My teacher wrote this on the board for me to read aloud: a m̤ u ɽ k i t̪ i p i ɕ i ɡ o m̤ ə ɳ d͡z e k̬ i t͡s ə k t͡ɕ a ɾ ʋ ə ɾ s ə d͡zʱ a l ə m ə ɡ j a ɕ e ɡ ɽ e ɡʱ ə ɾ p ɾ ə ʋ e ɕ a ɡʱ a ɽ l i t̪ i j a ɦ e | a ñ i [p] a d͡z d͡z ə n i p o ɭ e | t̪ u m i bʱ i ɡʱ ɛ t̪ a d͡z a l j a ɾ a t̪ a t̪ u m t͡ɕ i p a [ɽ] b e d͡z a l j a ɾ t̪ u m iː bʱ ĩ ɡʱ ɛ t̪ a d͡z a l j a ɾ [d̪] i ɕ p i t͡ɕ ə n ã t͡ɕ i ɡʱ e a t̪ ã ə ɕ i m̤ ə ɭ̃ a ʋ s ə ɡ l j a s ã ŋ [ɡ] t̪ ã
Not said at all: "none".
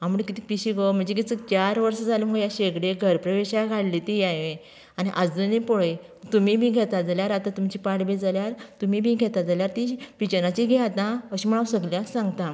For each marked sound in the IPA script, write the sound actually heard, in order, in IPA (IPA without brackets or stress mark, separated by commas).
ʔ, ɽ, t̪, ɡ